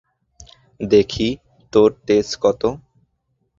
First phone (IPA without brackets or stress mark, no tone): d̪